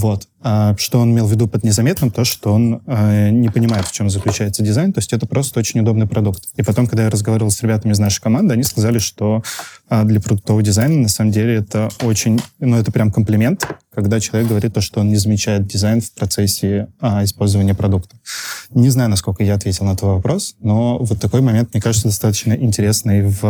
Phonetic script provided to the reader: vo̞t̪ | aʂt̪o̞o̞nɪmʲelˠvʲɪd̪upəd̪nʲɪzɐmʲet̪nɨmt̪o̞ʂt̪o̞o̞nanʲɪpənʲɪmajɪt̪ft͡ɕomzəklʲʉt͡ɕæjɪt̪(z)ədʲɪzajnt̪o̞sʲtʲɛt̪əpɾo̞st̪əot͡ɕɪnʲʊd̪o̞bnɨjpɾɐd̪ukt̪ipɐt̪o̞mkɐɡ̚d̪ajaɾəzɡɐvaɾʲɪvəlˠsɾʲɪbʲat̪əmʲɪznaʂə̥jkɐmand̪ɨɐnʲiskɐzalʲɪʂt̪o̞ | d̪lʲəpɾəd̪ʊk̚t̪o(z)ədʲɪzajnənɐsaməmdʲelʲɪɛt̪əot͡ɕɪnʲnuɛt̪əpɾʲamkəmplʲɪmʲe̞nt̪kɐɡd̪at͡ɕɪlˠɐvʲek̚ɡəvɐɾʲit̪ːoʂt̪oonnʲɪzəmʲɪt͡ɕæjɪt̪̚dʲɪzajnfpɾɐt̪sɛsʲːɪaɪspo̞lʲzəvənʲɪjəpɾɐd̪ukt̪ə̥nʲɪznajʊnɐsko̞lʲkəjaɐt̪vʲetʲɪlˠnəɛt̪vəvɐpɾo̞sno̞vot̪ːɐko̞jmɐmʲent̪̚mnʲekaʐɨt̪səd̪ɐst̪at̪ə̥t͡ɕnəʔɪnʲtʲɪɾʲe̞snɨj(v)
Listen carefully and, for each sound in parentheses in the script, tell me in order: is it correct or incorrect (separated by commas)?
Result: incorrect, incorrect, correct